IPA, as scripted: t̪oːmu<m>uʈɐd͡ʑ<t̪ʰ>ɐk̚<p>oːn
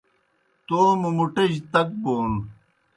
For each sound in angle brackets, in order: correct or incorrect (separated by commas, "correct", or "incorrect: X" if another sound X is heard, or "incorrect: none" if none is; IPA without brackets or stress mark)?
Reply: correct, incorrect: t̪, incorrect: b